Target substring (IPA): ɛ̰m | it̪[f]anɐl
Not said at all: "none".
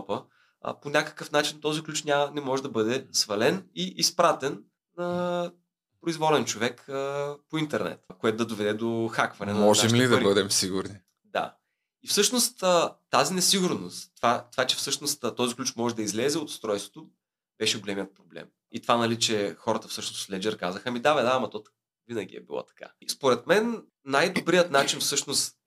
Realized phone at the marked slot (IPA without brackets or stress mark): v